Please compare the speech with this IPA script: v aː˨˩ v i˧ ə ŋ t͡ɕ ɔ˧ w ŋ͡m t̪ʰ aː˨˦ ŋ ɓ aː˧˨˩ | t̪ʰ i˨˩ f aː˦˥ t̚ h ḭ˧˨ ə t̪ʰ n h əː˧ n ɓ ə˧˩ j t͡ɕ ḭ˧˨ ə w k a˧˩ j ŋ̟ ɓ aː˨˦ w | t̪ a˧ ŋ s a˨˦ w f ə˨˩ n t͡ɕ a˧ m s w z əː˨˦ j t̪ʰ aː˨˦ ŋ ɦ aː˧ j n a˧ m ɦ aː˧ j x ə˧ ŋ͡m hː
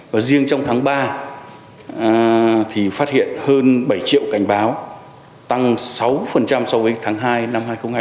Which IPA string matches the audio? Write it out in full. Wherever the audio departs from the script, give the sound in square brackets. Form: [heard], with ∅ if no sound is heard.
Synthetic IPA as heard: v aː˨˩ [z] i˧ ə ŋ t͡ɕ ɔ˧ w ŋ͡m t̪ʰ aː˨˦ ŋ ɓ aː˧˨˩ | t̪ʰ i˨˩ f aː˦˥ t̚ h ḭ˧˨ ə [∅] n h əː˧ n ɓ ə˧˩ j t͡ɕ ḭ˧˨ ə w k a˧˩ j ŋ̟ ɓ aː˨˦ w | t̪ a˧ ŋ s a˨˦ w f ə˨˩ n t͡ɕ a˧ m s w [v] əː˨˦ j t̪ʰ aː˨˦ ŋ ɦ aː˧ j n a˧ m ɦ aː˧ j x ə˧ ŋ͡m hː